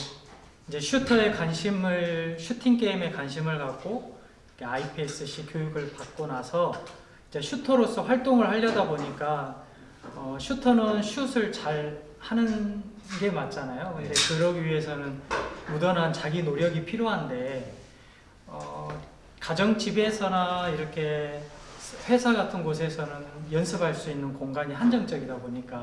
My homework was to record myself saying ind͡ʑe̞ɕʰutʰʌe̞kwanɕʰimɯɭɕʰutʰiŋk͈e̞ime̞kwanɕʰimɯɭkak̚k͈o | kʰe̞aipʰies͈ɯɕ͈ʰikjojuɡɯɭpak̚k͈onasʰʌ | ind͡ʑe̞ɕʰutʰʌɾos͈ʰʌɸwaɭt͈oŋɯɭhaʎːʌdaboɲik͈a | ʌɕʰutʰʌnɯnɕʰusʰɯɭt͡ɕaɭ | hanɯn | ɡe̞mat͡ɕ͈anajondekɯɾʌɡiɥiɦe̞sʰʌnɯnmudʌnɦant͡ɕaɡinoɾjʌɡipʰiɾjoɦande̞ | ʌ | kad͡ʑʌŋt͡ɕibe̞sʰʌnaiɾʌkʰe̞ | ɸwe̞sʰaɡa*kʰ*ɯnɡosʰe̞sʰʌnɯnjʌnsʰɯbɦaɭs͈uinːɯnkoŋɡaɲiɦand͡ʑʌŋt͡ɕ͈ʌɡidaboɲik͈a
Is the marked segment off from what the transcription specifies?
yes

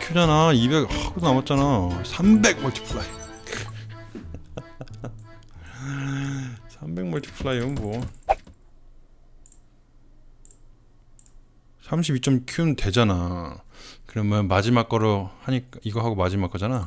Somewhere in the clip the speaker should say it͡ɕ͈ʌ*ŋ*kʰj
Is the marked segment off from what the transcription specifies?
yes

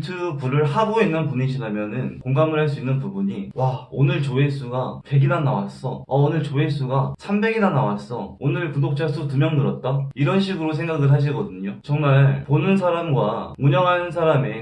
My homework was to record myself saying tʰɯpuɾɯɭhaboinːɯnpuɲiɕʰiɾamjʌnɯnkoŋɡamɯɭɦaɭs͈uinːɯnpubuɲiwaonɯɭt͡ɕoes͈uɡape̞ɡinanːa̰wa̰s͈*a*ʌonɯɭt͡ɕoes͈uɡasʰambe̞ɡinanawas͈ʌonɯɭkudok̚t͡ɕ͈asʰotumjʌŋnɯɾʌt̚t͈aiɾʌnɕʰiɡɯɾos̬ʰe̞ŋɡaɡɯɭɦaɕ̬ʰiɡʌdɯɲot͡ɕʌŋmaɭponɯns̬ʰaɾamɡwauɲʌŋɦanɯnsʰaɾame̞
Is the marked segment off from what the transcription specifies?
yes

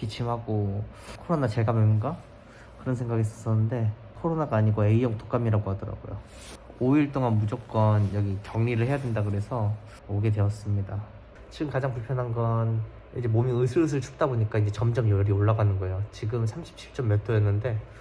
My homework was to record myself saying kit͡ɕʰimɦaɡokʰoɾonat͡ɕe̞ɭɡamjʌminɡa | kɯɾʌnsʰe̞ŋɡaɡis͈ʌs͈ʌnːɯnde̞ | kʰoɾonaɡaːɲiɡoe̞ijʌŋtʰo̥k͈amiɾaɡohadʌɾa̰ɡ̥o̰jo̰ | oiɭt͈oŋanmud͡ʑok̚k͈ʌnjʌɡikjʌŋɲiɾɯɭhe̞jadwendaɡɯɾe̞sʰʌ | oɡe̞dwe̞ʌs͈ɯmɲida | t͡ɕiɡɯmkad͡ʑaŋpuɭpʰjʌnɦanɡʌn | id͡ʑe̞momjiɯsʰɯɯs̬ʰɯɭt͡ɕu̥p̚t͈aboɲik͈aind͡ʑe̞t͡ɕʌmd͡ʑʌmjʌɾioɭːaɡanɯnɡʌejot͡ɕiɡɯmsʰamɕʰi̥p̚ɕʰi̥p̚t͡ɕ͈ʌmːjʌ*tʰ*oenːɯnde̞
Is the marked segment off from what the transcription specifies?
no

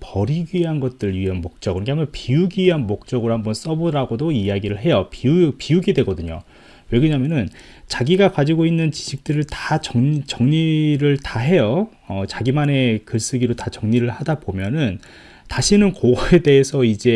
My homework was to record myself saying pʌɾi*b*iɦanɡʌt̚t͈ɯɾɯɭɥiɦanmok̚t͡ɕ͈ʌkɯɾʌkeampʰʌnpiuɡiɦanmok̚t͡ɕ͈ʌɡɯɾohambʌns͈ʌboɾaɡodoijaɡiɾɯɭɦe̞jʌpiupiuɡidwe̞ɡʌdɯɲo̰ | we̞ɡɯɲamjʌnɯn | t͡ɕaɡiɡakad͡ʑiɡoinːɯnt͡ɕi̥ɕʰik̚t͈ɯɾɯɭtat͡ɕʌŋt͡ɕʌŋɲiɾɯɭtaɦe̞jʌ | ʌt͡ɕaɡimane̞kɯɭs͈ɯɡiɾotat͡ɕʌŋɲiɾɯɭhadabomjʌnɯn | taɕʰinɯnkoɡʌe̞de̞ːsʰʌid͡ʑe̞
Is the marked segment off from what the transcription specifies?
yes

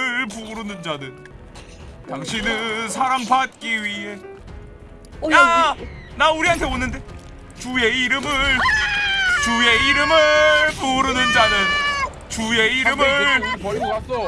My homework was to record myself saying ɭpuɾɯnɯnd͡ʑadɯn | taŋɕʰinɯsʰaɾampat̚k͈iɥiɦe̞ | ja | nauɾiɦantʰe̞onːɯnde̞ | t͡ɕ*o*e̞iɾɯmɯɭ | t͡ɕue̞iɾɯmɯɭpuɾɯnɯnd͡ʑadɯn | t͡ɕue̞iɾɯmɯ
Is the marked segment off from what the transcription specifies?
yes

